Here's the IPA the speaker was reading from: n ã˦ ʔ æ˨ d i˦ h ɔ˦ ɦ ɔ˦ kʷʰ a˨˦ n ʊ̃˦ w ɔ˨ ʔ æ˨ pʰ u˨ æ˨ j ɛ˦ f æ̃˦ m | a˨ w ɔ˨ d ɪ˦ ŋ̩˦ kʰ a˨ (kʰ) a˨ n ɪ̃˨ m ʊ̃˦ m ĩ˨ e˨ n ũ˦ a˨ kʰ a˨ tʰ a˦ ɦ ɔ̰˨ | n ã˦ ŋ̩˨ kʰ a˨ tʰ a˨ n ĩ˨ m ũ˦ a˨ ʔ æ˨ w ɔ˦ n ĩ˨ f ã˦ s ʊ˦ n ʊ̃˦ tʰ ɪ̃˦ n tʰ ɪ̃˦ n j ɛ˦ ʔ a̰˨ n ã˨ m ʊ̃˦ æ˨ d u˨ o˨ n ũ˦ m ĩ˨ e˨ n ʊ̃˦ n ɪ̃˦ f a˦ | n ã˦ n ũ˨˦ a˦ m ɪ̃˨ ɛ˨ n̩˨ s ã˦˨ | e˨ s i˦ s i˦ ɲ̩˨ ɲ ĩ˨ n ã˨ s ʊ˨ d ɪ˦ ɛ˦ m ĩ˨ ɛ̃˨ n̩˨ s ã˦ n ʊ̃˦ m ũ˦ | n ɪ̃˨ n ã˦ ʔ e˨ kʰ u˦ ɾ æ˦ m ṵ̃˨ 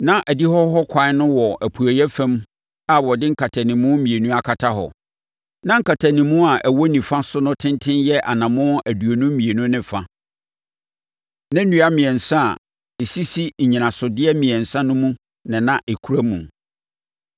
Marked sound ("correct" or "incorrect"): incorrect